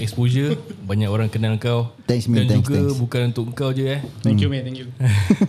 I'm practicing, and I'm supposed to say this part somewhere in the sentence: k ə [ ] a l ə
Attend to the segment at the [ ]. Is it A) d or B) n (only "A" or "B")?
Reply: B